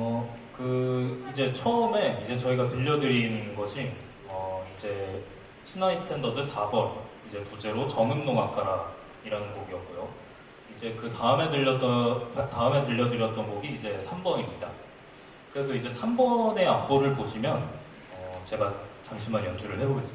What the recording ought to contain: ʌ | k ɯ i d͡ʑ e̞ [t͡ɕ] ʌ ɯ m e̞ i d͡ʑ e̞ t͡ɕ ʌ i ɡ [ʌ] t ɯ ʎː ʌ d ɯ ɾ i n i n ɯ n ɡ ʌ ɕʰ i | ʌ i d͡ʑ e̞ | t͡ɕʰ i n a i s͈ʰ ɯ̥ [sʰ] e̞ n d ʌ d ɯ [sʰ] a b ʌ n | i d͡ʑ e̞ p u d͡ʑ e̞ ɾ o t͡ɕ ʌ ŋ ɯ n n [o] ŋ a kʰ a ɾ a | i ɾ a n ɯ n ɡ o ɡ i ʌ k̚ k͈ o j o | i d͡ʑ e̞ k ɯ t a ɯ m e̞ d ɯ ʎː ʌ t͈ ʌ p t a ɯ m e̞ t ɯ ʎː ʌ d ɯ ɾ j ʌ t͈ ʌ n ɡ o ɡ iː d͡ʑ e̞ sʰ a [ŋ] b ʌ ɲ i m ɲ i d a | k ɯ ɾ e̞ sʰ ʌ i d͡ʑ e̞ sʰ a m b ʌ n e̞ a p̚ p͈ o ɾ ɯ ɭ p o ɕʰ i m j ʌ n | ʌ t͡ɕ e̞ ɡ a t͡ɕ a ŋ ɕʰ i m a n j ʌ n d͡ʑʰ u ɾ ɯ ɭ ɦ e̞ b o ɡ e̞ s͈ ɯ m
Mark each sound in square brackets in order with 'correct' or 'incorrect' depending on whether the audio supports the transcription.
incorrect, incorrect, incorrect, correct, correct, incorrect

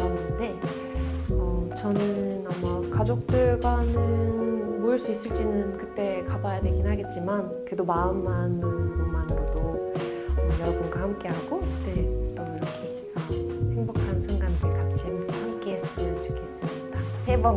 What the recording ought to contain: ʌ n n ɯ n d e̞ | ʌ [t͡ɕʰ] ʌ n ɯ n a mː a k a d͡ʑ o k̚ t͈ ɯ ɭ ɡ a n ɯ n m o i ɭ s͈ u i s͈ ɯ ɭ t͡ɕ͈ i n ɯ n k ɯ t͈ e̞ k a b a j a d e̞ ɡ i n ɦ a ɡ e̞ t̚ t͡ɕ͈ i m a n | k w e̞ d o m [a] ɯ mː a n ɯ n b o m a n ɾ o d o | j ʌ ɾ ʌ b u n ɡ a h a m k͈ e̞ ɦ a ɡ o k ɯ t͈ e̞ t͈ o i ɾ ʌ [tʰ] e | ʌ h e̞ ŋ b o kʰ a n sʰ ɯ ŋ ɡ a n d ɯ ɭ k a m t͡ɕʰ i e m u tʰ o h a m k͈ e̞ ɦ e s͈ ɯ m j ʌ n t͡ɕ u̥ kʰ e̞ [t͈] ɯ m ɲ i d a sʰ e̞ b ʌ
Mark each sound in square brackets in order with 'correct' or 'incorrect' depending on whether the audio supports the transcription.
incorrect, correct, incorrect, incorrect

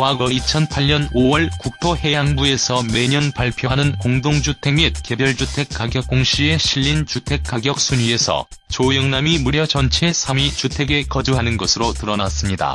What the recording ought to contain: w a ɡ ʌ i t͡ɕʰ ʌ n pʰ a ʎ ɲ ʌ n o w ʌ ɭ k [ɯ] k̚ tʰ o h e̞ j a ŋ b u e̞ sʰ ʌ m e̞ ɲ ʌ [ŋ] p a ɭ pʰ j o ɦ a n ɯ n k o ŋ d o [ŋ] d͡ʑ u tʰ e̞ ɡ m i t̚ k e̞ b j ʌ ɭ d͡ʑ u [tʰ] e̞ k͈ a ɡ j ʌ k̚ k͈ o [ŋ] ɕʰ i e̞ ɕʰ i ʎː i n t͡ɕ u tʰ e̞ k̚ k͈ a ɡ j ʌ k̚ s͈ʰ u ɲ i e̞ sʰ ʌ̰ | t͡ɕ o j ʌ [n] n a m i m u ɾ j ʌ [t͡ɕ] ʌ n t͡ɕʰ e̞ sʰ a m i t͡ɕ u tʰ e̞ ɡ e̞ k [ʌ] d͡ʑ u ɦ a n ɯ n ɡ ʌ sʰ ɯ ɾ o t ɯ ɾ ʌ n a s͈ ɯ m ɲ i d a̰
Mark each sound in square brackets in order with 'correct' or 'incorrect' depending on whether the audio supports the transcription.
incorrect, incorrect, correct, correct, correct, incorrect, correct, correct

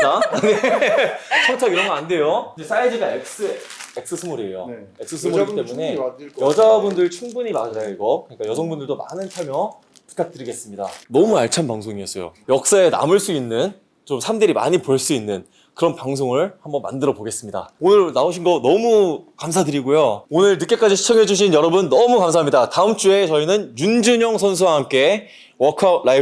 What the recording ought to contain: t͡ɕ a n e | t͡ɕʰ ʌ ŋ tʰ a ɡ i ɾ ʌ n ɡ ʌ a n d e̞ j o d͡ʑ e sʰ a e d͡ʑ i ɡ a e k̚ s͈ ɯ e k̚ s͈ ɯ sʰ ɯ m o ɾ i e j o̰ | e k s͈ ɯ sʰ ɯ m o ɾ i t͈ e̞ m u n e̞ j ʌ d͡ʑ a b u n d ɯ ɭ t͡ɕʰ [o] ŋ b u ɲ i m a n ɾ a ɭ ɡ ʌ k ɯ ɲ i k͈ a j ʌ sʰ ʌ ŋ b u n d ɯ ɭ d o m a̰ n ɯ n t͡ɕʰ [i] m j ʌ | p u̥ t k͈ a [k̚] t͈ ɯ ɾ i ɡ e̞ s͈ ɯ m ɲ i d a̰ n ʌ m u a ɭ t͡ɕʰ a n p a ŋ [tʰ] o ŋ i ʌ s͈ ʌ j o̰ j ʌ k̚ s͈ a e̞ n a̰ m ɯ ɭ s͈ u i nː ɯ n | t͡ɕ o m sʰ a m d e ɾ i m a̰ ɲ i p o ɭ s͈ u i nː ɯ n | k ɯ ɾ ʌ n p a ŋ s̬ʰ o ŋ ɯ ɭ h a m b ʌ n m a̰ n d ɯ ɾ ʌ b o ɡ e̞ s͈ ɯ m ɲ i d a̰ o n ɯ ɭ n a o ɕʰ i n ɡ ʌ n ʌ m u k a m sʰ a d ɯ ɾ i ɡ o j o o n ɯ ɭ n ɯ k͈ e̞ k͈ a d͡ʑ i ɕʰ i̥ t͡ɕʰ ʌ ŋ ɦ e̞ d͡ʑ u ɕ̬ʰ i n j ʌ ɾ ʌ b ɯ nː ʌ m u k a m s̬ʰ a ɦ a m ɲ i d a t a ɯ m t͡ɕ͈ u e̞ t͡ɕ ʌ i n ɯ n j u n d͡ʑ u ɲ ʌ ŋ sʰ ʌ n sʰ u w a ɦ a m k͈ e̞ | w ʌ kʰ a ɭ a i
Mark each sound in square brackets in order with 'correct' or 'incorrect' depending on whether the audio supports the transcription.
incorrect, incorrect, correct, incorrect

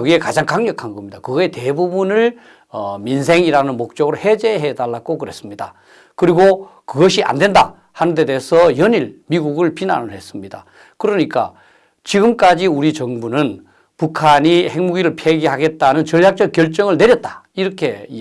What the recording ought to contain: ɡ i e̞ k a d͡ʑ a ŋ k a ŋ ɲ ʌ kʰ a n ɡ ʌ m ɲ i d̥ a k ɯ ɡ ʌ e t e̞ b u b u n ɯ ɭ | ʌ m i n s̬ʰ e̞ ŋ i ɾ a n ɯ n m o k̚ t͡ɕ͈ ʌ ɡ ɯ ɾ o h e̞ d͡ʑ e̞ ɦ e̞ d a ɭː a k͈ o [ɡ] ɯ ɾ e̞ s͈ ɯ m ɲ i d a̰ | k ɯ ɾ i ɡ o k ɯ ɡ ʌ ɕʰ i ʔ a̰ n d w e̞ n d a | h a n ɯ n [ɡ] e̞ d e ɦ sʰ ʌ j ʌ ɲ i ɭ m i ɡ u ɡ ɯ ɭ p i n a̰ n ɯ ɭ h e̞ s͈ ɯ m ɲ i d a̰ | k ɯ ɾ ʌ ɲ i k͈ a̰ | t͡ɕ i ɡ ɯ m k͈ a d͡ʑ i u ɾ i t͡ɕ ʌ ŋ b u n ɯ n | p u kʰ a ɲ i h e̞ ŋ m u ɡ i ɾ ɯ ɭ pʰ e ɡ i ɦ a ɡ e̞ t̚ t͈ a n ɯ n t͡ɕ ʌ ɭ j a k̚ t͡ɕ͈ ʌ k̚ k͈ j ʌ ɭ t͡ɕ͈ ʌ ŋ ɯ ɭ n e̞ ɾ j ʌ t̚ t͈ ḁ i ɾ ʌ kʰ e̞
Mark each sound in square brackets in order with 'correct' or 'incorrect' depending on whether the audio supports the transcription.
incorrect, incorrect

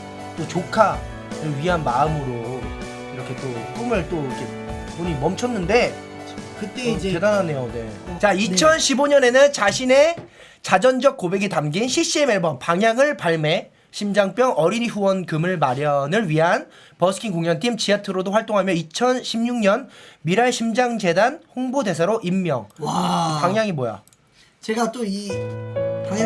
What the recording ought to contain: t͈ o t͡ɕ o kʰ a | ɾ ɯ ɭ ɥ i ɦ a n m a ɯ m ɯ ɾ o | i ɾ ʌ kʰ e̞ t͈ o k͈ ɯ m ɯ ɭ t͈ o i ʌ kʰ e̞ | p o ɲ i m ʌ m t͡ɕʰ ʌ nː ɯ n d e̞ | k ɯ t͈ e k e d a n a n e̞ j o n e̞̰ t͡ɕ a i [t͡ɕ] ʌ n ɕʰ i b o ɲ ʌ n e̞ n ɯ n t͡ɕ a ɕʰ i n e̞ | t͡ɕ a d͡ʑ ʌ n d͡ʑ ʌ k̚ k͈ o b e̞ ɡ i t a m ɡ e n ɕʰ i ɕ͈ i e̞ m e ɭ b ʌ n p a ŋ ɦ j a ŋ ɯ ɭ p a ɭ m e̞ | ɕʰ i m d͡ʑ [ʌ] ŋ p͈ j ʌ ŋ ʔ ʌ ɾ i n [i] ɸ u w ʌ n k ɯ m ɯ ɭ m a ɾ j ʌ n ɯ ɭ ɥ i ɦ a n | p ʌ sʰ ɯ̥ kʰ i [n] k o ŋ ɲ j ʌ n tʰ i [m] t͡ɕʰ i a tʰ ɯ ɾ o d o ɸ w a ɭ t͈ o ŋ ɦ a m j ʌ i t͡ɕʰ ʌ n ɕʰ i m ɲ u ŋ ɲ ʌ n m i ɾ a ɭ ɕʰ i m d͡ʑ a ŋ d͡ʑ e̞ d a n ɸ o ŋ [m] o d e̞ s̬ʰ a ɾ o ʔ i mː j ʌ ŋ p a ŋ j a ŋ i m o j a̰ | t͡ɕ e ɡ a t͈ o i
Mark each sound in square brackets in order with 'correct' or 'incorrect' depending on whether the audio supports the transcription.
incorrect, incorrect, correct, incorrect, correct, incorrect

